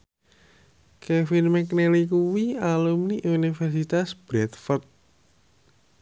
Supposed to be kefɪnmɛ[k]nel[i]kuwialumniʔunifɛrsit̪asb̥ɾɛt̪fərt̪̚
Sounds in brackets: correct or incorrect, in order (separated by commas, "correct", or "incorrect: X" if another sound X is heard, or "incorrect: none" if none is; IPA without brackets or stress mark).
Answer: correct, correct